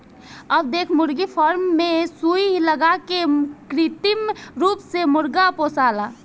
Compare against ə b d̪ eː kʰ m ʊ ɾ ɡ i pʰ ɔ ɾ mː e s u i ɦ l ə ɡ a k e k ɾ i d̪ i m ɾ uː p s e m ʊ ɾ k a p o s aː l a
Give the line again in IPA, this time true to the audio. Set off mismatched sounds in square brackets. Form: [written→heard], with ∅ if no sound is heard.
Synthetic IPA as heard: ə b d̪ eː kʰ m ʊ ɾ ɡ i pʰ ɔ ɾ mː e s u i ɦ l ə ɡ a k e k ɾ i [d̪→t̪] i m ɾ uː p s e m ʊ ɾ [k→ɡ] a p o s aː l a